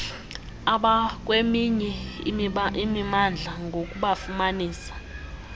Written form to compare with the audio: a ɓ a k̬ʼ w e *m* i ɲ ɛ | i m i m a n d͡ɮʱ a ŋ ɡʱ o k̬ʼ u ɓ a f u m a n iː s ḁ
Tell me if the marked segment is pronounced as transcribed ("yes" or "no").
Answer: yes